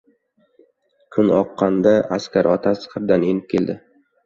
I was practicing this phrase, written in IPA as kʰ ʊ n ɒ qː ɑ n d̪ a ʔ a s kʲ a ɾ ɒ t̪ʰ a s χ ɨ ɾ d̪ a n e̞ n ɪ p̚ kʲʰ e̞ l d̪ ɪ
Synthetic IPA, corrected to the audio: kʰ ʊ n ɒ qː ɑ n d̪ a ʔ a s kʲ a ɾ ɒ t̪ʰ a s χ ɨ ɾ d̪ a n e̞ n ɪ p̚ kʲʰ e̞ l d̪ ɪ